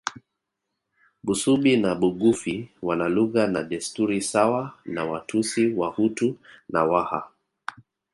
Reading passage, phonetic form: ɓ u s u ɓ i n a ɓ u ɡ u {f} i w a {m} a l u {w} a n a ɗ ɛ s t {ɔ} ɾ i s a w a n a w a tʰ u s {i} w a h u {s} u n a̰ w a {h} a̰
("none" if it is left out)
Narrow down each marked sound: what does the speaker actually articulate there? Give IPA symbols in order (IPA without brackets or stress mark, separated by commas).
f, n, ɣ, u, i, t, h